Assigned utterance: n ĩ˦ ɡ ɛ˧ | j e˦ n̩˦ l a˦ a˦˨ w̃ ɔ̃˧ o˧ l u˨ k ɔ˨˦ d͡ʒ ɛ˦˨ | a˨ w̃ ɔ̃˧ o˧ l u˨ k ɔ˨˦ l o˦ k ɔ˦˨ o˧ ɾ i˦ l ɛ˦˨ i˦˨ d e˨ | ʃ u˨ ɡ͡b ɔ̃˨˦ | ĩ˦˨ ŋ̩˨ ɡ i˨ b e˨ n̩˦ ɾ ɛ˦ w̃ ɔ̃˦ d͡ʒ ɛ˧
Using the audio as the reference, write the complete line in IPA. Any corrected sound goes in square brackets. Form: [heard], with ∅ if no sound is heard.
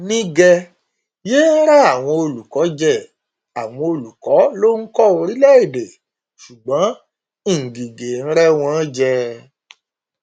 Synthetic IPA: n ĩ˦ ɡ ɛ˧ | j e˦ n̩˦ [ɾ] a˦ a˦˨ w̃ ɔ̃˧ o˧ l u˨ k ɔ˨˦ d͡ʒ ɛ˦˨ | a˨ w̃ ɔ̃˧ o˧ l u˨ k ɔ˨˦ l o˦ k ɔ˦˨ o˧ ɾ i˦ l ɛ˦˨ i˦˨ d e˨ | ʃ u˨ ɡ͡b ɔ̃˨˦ | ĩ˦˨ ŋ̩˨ ɡ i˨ [ɡ] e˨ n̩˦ ɾ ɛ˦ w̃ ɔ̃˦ d͡ʒ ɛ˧